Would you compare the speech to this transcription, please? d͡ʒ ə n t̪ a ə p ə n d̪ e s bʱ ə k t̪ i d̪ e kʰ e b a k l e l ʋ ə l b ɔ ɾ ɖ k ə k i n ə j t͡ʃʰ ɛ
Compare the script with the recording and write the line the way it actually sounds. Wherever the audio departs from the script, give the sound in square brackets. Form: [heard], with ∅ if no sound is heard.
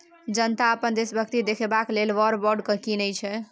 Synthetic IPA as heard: d͡ʒ ə n t̪ a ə p ə n d̪ e s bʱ ə k t̪ i d̪ e kʰ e b a k l e l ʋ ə [ɾ] b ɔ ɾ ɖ k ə k i n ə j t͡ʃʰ ɛ